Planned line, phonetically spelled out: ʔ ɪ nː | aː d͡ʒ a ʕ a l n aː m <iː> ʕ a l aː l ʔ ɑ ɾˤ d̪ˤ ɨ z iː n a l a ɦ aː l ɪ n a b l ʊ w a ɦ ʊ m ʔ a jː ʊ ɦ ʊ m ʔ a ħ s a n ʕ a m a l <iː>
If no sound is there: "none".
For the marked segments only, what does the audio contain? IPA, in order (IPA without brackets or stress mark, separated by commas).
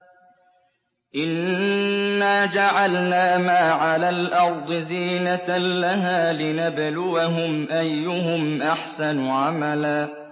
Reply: aː, aː